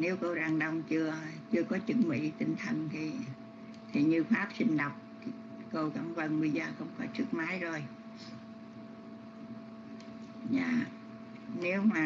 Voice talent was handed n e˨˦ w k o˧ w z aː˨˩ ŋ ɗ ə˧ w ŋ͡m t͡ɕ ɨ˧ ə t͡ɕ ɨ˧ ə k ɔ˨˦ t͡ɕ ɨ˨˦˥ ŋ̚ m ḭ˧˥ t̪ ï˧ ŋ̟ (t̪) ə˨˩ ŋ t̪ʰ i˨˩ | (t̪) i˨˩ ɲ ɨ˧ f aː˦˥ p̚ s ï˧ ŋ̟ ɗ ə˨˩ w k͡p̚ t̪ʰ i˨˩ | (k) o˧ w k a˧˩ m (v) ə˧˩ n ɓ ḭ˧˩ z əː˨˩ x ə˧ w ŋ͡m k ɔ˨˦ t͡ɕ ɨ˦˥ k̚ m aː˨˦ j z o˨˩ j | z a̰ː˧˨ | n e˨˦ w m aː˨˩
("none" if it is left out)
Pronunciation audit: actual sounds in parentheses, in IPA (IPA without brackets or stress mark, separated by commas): t̪ʰ, t̪ʰ, k, v